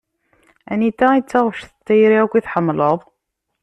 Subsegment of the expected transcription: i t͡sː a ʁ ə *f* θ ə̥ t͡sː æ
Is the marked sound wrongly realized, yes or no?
yes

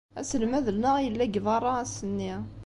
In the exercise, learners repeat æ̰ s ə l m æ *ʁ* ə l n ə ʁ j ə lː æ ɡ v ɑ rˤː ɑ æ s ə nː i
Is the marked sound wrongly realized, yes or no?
yes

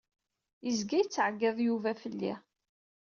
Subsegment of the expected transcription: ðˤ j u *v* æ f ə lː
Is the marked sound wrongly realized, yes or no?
no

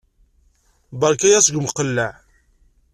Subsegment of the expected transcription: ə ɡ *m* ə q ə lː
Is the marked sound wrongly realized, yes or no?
no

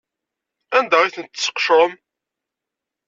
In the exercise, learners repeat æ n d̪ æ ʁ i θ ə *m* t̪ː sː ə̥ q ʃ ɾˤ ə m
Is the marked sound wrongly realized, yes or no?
yes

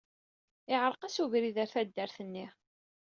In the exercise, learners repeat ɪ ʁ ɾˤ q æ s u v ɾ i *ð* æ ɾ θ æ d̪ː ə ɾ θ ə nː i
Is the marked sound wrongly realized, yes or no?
no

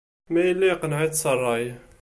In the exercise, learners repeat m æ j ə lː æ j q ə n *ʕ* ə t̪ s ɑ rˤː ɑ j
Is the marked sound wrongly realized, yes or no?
no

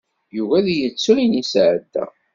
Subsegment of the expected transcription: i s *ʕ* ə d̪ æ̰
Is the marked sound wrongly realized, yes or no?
no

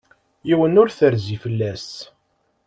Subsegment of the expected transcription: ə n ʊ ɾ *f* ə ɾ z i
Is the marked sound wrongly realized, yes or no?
yes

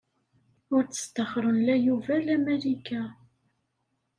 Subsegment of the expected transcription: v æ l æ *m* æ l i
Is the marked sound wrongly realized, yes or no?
no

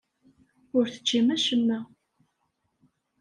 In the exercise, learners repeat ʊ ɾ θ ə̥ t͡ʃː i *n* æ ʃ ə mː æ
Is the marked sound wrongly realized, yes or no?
yes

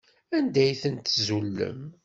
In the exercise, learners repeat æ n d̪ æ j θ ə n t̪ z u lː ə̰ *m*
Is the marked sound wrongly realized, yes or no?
no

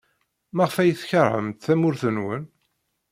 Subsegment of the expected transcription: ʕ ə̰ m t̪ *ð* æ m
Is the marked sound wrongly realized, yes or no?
yes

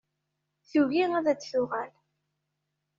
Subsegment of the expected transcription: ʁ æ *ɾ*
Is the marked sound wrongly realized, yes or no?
yes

